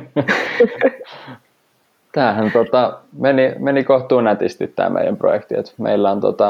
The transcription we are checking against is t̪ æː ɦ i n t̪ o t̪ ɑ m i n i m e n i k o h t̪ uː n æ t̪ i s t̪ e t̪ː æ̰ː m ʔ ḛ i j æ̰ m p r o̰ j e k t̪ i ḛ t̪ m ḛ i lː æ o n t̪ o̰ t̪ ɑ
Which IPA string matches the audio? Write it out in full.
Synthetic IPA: t̪ æː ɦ æ n t̪ o t̪ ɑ m e n i m e n i k o h t̪ uː n æ t̪ i s t̪ i t̪ː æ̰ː m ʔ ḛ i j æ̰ m p r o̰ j e k t̪ i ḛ t̪ m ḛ i lː æ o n t̪ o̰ t̪ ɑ